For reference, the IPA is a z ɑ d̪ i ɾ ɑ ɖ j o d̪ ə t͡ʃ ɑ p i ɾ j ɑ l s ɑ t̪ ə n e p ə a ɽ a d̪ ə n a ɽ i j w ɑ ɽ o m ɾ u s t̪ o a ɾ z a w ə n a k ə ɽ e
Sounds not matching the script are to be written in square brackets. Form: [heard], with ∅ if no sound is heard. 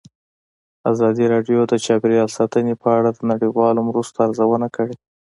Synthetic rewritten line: a z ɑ d̪ i ɾ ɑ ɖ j o d̪ ə t͡ʃ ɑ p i ɾ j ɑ l s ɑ t̪ ə n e p ə a ɽ a d̪ ə n a ɽ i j w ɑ [l] o m ɾ u s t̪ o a ɾ z a w ə n a k ə ɽ e